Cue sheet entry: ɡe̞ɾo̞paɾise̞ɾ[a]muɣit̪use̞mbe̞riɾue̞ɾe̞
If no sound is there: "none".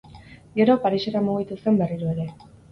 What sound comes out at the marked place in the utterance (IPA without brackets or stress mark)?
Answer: a